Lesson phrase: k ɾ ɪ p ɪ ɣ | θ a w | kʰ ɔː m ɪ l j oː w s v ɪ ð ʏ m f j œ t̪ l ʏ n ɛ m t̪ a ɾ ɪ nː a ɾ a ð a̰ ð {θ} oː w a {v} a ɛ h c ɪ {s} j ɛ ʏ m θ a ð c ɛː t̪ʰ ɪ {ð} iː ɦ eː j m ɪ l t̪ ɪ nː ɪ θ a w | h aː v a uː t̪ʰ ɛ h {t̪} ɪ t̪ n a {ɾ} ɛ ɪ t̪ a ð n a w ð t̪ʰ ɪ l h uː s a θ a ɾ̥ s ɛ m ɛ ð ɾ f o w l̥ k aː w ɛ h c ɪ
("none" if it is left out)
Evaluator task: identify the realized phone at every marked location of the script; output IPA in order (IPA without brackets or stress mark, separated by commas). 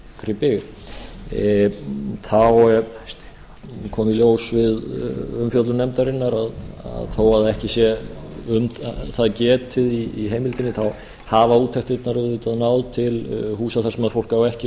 θ, ð, s, ð, t̪, ɾ